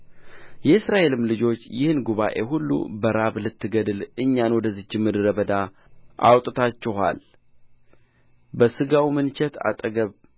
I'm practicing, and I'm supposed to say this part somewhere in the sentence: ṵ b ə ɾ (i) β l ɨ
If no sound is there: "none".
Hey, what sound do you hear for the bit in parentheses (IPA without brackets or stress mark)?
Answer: a